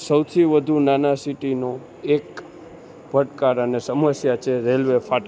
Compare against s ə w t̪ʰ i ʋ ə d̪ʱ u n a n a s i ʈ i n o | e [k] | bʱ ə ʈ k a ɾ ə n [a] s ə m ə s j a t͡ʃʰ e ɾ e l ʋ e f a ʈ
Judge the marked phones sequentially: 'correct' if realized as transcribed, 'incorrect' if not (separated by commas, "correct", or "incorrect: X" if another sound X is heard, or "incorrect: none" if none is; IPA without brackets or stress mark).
correct, incorrect: e